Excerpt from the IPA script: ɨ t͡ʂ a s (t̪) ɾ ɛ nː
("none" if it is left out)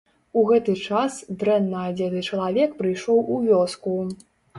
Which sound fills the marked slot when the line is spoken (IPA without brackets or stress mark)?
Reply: d̪